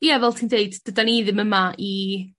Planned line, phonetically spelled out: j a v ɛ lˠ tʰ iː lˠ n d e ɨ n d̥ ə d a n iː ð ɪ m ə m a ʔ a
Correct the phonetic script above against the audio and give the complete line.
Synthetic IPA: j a v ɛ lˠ tʰ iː n d e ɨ d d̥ ə d a n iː ð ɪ m ə m a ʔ i